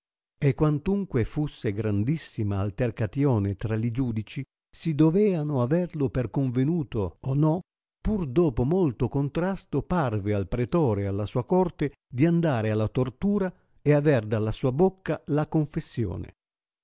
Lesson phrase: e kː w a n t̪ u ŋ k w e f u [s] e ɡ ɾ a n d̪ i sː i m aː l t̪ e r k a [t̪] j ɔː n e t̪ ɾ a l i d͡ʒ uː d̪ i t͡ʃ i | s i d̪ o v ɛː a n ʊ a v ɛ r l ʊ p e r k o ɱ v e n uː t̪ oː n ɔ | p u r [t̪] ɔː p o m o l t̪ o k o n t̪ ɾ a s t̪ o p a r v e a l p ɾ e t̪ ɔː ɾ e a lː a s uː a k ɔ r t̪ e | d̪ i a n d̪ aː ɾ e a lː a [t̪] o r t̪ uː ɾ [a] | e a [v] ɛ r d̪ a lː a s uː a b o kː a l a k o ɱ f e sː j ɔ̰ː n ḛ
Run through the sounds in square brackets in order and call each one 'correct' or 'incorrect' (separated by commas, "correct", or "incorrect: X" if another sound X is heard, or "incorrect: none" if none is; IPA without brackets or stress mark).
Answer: incorrect: sː, correct, incorrect: d̪, correct, correct, correct